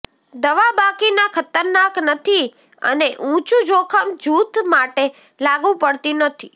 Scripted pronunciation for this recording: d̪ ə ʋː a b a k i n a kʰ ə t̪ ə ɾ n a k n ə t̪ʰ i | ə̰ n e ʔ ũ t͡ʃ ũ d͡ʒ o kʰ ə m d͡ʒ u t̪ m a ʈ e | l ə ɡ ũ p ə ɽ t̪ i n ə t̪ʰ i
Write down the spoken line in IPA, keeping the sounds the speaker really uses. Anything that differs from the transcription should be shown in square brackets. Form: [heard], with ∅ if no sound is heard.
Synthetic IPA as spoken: d̪ ə [ʋ] a b a k i n a kʰ ə t̪ ə ɾ n a k n ə t̪ʰ i | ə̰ n e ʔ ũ t͡ʃ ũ d͡ʒ o kʰ ə m d͡ʒ u t̪ m a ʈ e | l [a] ɡ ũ p ə ɽ t̪ i n ə t̪ʰ i